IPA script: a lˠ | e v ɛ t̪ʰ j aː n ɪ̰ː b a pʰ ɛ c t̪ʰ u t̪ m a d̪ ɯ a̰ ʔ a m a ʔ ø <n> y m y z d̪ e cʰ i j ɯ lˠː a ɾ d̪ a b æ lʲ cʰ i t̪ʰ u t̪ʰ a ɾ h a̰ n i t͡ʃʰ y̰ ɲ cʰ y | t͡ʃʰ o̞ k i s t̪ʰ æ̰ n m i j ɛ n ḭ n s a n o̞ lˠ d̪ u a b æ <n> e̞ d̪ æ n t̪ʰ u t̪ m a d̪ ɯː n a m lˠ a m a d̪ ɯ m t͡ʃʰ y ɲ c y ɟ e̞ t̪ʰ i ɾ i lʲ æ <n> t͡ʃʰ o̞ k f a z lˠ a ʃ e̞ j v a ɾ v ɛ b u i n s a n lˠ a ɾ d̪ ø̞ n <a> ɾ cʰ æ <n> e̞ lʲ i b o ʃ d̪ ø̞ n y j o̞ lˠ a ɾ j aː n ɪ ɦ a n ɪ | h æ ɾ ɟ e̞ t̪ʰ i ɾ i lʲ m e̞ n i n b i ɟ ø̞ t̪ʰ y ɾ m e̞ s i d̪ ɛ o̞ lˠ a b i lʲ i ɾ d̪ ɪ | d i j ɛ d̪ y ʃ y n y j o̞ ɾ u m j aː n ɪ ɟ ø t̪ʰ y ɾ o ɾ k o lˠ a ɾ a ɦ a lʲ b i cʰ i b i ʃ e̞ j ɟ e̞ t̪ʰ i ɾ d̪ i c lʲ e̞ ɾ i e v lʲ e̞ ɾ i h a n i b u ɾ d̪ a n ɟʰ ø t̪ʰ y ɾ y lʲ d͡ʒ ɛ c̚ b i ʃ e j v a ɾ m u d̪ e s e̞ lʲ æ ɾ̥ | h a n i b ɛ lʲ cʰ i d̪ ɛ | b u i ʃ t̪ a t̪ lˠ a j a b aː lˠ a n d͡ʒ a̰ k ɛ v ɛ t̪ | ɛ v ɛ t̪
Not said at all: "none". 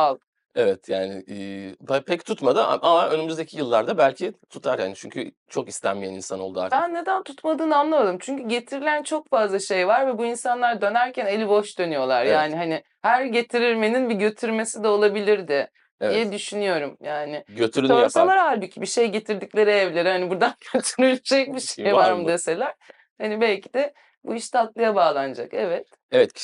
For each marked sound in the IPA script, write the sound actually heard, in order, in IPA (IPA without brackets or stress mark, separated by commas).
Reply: n, nː, n, æ, n